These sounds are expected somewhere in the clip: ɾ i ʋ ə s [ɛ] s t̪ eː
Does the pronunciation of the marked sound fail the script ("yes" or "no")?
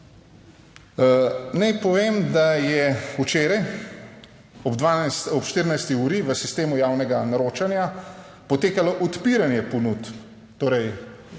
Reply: yes